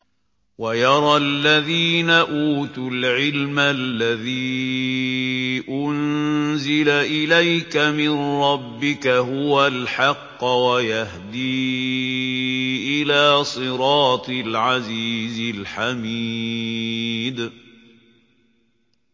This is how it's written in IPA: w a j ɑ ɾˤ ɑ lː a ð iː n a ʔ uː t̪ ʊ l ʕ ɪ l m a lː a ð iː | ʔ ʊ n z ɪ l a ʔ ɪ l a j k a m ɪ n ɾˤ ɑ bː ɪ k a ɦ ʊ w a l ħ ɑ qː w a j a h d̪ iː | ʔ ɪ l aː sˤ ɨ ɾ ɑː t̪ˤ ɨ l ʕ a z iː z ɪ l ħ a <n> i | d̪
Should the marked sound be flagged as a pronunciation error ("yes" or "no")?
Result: yes